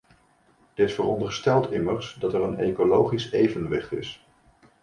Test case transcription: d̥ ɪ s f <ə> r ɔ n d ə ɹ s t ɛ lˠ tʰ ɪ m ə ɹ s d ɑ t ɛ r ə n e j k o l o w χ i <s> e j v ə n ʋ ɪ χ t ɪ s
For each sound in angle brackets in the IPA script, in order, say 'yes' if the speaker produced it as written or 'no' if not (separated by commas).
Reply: yes, yes